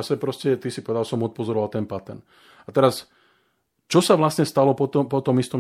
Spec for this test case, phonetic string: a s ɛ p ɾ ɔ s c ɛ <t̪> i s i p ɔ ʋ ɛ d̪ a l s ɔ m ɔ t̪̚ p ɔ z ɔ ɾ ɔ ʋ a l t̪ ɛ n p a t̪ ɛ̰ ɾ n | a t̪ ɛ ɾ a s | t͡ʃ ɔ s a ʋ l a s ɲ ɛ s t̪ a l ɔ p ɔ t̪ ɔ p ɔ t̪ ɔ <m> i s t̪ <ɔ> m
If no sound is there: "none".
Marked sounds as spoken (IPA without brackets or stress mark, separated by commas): t̪, m, ɔ